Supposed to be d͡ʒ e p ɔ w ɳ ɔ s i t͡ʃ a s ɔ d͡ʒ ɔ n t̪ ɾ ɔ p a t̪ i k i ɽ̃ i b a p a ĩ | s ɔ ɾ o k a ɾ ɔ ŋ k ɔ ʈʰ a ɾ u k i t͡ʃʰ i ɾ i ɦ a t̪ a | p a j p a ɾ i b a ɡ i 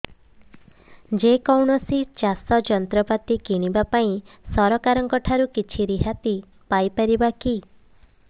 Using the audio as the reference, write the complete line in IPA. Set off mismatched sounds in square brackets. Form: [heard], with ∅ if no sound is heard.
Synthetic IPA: d͡ʒ e [k] ɔ w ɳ ɔ s i t͡ʃ a s ɔ d͡ʒ ɔ n t̪ ɾ ɔ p a t̪ i k i ɽ̃ i b a p a ĩ | s ɔ ɾ [ɔ] k a ɾ ɔ ŋ k ɔ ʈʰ a ɾ u k i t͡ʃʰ i ɾ i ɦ a t̪ [i] | p a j p a ɾ i b a [k] i